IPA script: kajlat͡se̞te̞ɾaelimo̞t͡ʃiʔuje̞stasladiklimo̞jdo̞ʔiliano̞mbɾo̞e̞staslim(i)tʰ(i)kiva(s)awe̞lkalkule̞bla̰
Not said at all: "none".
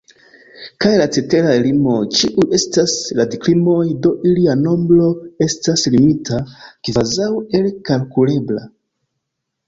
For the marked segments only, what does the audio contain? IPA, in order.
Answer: i, a, z

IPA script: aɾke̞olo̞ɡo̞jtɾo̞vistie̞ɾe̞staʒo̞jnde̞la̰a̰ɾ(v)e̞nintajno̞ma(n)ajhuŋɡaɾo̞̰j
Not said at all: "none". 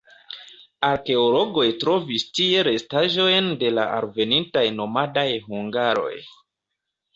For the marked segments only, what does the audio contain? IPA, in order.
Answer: v, d

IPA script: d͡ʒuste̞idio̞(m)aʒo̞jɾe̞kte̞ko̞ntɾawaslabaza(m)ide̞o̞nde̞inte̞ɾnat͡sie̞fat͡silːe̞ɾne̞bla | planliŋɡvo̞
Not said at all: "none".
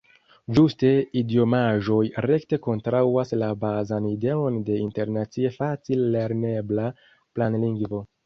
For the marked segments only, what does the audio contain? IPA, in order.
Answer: m, n

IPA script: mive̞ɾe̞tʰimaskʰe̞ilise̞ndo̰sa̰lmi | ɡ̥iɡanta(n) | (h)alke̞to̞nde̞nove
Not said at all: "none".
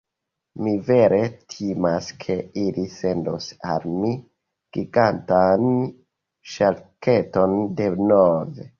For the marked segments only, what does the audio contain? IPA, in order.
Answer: n, ʃ

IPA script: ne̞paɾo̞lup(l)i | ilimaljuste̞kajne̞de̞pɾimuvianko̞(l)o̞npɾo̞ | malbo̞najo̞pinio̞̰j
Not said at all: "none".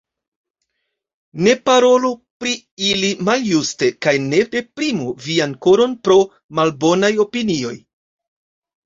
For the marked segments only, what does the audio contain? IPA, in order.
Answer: ɾ, ɾ

